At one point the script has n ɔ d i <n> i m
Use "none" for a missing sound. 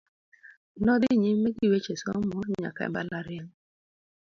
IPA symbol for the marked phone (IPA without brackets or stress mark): ɲ